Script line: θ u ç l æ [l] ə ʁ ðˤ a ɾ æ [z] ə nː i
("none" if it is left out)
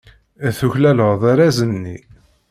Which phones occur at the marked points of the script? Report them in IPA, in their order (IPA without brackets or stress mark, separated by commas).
l, z